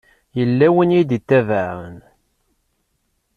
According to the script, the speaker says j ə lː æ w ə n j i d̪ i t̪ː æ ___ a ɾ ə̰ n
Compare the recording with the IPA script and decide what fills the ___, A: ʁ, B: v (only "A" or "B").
B